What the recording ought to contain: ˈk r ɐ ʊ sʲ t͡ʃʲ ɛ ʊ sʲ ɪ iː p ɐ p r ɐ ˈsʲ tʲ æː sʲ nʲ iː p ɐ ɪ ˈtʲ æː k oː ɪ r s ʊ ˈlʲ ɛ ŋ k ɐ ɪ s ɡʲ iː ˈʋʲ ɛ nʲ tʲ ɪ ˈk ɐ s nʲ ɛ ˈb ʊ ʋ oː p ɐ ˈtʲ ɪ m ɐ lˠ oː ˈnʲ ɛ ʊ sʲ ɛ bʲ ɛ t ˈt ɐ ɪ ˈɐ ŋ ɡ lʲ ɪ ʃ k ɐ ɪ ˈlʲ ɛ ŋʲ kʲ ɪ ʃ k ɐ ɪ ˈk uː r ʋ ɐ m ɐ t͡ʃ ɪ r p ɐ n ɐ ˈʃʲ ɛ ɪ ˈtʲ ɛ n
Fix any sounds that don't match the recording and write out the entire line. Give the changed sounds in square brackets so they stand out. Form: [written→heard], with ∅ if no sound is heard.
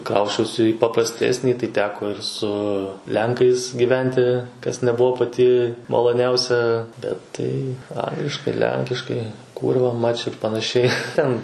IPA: ˈk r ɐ ʊ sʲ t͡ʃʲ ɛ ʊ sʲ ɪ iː p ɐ p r ɐ ˈsʲ tʲ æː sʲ nʲ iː [p→t] ɐ ɪ ˈtʲ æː k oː ɪ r s ʊ ˈlʲ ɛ ŋ k ɐ ɪ s ɡʲ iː ˈʋʲ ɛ nʲ tʲ ɪ ˈk ɐ s nʲ ɛ ˈb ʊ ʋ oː p ɐ ˈtʲ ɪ m ɐ lˠ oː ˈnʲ ɛ ʊ sʲ ɛ bʲ ɛ t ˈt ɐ ɪ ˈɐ ŋ ɡ lʲ ɪ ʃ k ɐ ɪ ˈlʲ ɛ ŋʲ kʲ ɪ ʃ k ɐ ɪ ˈk uː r ʋ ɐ m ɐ t͡ʃ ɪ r p ɐ n ɐ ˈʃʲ ɛ ɪ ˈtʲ ɛ n